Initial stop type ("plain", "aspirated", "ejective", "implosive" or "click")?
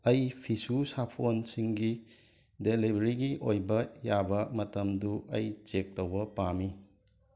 aspirated